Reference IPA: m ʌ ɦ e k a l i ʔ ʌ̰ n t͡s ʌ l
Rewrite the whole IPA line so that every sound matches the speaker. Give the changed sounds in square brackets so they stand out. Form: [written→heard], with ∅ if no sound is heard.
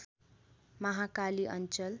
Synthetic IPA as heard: m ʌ ɦ [e→a] k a l i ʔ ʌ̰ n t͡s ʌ l